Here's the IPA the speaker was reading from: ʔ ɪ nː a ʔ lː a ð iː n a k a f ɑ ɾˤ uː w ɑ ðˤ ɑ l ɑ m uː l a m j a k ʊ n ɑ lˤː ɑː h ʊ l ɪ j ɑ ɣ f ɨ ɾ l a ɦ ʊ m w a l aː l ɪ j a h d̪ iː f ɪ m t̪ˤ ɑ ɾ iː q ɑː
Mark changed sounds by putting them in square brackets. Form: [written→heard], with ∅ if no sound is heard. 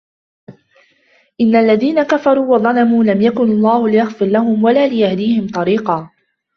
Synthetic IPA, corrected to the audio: ʔ ɪ nː a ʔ lː a ð iː n a k a f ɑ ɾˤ uː w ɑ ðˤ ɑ l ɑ m uː l a m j a k ʊ n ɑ lˤː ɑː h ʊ l ɪ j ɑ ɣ f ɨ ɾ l a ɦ ʊ m w a l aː l ɪ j a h d̪ iː [f→h] ɪ m t̪ˤ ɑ ɾ iː q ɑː

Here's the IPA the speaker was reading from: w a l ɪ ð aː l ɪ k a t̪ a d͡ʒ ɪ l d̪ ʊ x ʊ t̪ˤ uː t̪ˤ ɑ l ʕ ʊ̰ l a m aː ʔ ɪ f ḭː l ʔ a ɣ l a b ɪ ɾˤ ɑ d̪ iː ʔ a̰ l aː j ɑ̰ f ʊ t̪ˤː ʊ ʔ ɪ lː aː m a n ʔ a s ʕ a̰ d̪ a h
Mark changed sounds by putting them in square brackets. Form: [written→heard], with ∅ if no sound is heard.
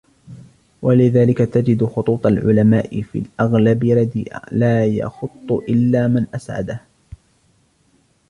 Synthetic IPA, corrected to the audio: w a l ɪ ð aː l ɪ k a t̪ a d͡ʒ ɪ [l→∅] d̪ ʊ x ʊ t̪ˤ uː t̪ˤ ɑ l ʕ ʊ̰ l a m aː ʔ ɪ f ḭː l ʔ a ɣ l a b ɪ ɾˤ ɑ d̪ iː ʔ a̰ l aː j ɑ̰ [f→x] ʊ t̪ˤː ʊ ʔ ɪ lː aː m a n ʔ a s ʕ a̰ d̪ a h

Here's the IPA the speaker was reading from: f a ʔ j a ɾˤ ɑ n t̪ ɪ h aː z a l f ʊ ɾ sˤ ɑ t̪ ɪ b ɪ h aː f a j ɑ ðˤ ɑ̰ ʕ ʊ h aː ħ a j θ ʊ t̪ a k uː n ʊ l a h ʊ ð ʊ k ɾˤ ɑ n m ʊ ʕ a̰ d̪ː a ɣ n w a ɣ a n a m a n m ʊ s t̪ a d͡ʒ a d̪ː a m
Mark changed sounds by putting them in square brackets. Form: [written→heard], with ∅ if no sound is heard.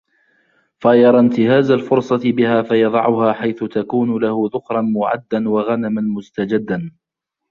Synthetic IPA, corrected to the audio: f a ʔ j [a→ɑ] ɾˤ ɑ n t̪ ɪ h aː z a l f ʊ ɾ sˤ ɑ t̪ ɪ b ɪ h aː f a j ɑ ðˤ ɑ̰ ʕ ʊ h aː ħ a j θ ʊ t̪ a k uː n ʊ l a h ʊ ð ʊ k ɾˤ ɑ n m ʊ ʕ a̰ d̪ː a [ɣ→∅] n w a ɣ a n a m a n m ʊ s t̪ a d͡ʒ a d̪ː a [m→n]

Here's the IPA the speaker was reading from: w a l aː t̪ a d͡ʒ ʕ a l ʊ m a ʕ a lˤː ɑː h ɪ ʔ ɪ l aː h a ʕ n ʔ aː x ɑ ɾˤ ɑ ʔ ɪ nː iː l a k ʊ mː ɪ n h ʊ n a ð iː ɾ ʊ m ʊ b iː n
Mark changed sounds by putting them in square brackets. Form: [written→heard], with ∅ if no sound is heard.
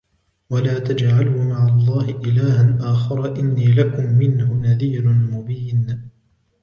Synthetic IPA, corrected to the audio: w a l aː t̪ a d͡ʒ ʕ a l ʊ m a ʕ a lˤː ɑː h ɪ ʔ ɪ l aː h a [ʕ→∅] n ʔ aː x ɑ ɾˤ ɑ ʔ ɪ nː iː l a k ʊ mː ɪ n h ʊ n a ð iː ɾ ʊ m ʊ b iː n

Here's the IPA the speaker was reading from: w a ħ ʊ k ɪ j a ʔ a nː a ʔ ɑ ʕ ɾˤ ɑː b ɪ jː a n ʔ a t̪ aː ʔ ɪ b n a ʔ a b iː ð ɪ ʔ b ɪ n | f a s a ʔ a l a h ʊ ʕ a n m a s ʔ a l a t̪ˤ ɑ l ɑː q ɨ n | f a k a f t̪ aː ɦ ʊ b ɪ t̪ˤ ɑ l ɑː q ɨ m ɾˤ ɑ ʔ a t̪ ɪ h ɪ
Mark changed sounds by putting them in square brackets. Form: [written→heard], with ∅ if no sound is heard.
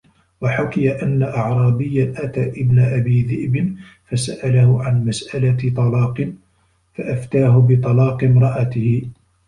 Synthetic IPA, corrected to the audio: w a ħ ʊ k ɪ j a ʔ a nː a ʔ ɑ ʕ ɾˤ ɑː b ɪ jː a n ʔ a t̪ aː ʔ ɪ b n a ʔ a b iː ð ɪ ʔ b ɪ n | f a s a ʔ a l a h ʊ ʕ a n m a s ʔ a l a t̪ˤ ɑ l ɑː q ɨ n | f a [k→ʔ] a f t̪ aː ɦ ʊ b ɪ t̪ˤ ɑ l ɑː q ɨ m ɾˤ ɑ ʔ a t̪ ɪ h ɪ

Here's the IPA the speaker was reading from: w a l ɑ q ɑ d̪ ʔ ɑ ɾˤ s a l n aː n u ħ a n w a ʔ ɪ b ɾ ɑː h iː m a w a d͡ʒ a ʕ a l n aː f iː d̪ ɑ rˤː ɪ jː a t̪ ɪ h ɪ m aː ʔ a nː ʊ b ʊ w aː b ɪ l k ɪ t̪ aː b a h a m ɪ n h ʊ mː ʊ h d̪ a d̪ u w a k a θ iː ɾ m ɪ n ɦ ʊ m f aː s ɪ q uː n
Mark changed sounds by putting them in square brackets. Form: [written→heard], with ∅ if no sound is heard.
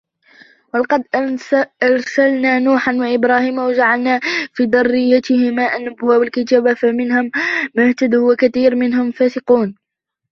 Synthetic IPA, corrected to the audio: w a l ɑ q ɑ d̪ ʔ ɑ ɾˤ s a l n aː n [u→uː] ħ a n w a ʔ ɪ b ɾ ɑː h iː m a w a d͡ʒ a ʕ a l n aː f iː d̪ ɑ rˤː ɪ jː a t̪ ɪ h ɪ m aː ʔ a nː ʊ b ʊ w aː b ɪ l k ɪ t̪ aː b a [h→f] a m ɪ n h ʊ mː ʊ h [d̪→t̪] a d̪ u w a k a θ iː ɾ m ɪ n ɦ ʊ m f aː s ɪ q uː n

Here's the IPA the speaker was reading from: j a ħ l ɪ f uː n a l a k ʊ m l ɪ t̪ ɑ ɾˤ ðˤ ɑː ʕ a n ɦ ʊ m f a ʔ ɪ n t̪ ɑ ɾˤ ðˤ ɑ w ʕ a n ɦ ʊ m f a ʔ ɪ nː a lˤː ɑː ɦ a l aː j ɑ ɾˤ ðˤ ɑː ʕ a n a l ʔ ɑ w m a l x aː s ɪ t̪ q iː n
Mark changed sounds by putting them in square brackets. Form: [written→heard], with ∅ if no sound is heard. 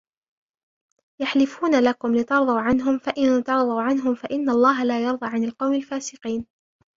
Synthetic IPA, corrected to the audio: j a ħ l ɪ f uː n a l a k ʊ m l ɪ t̪ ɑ ɾˤ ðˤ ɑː ʕ a n ɦ ʊ m f a ʔ ɪ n t̪ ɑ ɾˤ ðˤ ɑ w ʕ a n ɦ ʊ m f a ʔ ɪ nː a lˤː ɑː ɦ a l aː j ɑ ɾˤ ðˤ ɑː ʕ a n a l [ʔ→q] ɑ w m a l [x→f] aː s ɪ [t̪→∅] q iː n

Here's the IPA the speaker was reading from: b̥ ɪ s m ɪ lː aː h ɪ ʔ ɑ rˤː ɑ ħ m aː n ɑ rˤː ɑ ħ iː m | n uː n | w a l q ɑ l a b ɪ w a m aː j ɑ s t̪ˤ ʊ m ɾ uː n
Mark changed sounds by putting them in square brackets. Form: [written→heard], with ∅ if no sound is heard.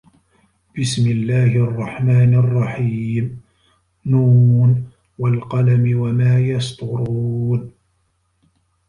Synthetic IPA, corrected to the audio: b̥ ɪ s m ɪ lː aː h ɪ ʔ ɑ rˤː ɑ ħ m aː n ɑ rˤː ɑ ħ iː m | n uː n | w a l q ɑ l a [b→m] ɪ w a m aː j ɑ s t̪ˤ ʊ [m→∅] ɾ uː n

